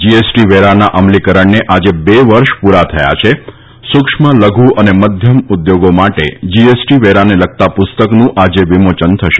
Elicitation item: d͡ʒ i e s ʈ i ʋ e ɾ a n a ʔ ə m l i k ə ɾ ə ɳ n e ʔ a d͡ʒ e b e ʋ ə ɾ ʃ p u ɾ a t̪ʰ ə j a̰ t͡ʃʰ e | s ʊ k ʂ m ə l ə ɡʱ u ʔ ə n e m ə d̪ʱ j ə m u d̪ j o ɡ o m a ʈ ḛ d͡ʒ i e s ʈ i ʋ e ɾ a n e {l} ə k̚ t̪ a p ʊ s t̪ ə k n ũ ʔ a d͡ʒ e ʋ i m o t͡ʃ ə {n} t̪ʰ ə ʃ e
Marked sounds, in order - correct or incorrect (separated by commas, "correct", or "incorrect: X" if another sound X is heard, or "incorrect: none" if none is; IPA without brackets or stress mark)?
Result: correct, correct